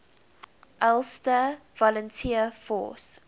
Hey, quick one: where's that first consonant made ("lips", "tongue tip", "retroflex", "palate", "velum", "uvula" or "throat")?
throat